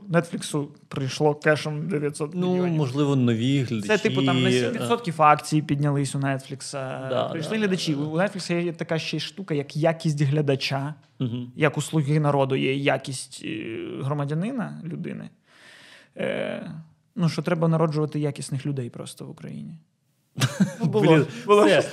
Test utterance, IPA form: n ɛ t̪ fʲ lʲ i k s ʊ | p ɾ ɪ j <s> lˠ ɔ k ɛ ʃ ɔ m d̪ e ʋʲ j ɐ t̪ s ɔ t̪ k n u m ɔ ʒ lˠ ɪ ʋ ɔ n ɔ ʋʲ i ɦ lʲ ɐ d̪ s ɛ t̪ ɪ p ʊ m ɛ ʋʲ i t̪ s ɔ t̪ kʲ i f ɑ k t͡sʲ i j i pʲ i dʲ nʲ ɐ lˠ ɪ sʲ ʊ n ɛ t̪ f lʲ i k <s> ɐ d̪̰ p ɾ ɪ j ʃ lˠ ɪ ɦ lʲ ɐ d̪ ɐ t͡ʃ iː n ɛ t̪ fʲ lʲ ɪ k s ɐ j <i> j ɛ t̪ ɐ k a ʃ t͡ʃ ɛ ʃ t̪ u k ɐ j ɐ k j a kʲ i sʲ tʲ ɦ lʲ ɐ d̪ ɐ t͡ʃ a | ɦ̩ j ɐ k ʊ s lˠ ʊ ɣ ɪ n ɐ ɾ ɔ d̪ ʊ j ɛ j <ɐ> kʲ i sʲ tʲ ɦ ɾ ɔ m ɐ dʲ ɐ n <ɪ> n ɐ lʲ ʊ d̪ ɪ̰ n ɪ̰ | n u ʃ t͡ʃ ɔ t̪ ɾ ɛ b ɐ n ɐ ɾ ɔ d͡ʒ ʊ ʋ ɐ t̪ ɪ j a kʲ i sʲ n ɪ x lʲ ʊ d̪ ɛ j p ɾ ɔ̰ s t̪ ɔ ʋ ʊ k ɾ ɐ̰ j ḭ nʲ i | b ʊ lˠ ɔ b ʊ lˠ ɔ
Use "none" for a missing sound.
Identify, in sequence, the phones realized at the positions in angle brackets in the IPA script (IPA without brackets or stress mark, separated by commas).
ʃ, s, ɛ, a, ɪ